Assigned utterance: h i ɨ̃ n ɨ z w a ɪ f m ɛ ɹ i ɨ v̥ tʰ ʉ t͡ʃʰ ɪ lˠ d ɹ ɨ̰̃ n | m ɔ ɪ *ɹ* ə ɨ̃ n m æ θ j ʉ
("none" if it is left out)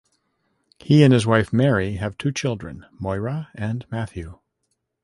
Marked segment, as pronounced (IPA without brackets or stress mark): ɹ